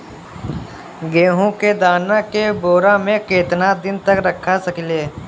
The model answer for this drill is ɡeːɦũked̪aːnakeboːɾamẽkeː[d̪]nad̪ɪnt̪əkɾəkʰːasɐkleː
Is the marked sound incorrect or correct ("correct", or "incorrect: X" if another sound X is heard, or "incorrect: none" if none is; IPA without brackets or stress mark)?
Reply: incorrect: t̪